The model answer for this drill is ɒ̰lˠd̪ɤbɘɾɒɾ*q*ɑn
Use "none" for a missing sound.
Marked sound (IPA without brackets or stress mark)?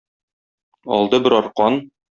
q